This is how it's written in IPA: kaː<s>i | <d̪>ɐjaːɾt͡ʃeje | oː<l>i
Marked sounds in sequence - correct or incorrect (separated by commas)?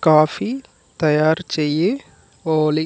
incorrect, incorrect, correct